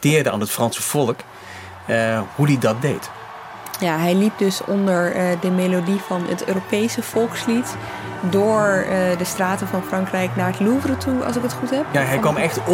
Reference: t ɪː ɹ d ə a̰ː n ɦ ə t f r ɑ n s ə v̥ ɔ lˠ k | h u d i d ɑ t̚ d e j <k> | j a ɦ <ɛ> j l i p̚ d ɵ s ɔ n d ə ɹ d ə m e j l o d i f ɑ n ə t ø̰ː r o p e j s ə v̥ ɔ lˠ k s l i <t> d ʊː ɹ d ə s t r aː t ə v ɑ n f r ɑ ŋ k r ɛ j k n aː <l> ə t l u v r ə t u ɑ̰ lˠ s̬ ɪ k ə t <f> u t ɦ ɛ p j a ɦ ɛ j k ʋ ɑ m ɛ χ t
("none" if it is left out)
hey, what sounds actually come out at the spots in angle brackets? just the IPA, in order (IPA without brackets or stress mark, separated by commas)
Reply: t, ɛ, t, ɹ, χ